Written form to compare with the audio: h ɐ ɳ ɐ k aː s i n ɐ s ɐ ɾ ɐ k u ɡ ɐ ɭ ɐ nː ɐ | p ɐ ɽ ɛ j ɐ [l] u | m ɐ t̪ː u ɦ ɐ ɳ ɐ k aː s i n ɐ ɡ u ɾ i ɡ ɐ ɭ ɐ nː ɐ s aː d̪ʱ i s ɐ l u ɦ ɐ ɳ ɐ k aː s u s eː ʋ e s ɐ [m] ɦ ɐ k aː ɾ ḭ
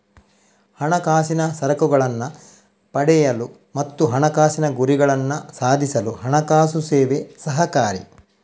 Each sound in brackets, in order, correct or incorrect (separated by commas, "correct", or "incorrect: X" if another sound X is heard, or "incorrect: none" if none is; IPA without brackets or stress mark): correct, incorrect: none